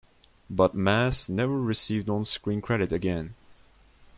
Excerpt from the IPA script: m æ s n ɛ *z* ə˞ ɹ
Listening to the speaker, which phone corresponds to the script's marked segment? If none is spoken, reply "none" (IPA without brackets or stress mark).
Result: v